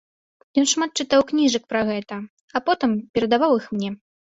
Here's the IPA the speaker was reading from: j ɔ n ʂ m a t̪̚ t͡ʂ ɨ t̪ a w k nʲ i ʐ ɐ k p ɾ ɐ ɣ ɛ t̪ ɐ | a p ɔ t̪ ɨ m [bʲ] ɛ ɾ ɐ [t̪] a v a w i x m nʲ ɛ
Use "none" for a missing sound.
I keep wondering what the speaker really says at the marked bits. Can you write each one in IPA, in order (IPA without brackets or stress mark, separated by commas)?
pʲ, d̪